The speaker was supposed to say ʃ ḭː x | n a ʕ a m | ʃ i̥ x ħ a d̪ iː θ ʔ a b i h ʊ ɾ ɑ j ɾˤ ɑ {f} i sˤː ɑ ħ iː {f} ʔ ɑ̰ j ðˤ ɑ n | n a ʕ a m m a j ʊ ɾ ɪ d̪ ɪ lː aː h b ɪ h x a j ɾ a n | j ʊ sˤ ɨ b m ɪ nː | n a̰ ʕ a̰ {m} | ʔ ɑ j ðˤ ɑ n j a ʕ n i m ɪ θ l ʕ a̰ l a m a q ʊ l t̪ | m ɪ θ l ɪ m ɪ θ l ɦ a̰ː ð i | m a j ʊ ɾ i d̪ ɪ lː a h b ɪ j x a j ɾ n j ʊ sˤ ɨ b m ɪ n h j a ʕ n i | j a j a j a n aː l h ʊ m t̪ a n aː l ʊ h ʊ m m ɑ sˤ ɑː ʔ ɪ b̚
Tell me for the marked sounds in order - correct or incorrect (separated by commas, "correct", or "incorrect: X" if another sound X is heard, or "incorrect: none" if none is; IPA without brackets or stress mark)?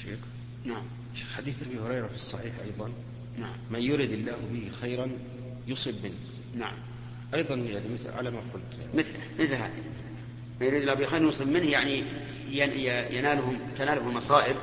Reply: correct, incorrect: ħ, correct